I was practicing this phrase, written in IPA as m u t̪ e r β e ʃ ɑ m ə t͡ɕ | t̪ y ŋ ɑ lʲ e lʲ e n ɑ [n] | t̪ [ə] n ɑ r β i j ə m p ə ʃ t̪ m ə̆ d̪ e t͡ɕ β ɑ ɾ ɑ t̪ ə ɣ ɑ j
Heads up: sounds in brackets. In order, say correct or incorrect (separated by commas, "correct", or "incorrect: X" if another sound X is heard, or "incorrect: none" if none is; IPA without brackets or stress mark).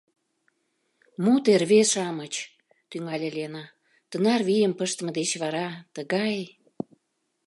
incorrect: none, correct